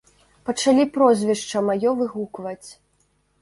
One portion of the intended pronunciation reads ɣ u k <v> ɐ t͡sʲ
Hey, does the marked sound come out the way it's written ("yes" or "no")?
yes